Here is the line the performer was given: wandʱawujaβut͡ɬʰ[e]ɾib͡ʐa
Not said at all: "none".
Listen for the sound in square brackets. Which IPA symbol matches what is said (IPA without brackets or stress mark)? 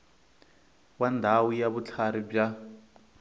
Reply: a